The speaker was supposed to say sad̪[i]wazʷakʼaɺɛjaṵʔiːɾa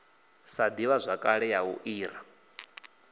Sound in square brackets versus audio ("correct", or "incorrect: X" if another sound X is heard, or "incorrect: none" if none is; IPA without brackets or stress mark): correct